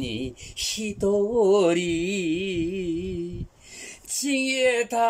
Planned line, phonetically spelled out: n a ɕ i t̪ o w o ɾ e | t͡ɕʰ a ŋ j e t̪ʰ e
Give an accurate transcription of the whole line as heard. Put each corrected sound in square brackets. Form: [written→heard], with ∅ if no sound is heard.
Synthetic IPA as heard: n [a→i] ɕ i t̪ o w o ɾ [e→i] | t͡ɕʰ [a→i] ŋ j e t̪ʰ [e→a]

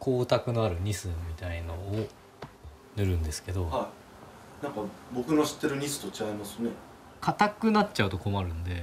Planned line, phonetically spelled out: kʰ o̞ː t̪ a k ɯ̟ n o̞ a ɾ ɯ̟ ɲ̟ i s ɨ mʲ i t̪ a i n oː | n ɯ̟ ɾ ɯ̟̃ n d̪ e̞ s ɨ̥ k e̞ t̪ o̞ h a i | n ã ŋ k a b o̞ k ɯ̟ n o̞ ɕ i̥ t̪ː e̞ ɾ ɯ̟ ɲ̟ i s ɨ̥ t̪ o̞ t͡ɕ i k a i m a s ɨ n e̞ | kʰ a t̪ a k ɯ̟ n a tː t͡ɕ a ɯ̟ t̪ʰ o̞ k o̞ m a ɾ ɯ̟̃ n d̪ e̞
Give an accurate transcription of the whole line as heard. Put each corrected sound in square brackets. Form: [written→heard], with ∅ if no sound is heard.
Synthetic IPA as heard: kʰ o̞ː t̪ a k ɯ̟ n o̞ a ɾ ɯ̟ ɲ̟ i s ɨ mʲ i t̪ a i n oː | n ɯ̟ ɾ ɯ̟̃ n d̪ e̞ s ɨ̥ k e̞ [t̪→d̪] o̞ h a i | n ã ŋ k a b o̞ k ɯ̟ n o̞ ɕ i̥ t̪ː e̞ ɾ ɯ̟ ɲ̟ i s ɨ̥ t̪ o̞ t͡ɕ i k a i m a s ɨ n e̞ | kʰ a t̪ a k ɯ̟ n a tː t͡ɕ a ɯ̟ [t̪ʰ→t̪] o̞ k o̞ m a ɾ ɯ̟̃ n d̪ e̞

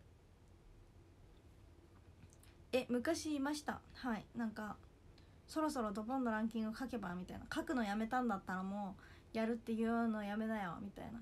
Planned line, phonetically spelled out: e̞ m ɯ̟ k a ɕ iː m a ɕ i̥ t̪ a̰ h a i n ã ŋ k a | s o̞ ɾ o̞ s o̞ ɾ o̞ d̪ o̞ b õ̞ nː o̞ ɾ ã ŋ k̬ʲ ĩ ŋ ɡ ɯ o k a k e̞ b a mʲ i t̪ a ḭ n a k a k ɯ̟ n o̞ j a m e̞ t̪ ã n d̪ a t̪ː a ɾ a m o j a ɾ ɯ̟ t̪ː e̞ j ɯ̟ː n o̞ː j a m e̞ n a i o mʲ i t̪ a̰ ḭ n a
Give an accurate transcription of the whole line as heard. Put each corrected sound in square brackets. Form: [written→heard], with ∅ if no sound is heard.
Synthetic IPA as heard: e̞ m ɯ̟ k a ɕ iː m a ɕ i̥ t̪ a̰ h a i n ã ŋ k a | s o̞ ɾ o̞ s o̞ ɾ o̞ d̪ o̞ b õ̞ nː o̞ ɾ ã ŋ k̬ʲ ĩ ŋ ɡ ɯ o k a k e̞ b a mʲ i t̪ a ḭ n a k a k ɯ̟ n o̞ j a m e̞ t̪ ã n d̪ a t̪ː a ɾ a m o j a ɾ ɯ̟ t̪ː e̞ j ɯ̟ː n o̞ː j a m e̞ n a [i→j] o mʲ i t̪ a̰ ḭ n a

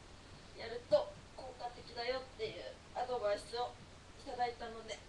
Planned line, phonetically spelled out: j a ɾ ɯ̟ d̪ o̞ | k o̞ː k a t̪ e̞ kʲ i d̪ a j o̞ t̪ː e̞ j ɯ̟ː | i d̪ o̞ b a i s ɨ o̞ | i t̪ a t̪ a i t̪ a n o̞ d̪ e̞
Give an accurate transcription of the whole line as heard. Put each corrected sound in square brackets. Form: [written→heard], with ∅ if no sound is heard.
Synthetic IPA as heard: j a ɾ ɯ̟ [d̪→t̪] o̞ | k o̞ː k a t̪ e̞ kʲ i d̪ a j o̞ t̪ː e̞ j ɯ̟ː | [i→a] d̪ o̞ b a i s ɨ o̞ | i t̪ a [t̪→d̪] a i t̪ a n o̞ d̪ e̞

